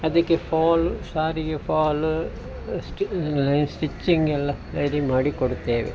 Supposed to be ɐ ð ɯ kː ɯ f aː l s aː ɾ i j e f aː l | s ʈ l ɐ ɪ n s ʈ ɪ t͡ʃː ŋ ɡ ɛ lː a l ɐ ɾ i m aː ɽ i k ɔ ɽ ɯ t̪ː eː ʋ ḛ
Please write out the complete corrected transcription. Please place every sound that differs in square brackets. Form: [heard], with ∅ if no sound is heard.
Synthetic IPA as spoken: ɐ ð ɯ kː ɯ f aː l s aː ɾ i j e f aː l | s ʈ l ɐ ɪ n s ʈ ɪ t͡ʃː ŋ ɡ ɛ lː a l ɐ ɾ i m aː ɽ i k ɔ ɽ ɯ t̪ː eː ʋ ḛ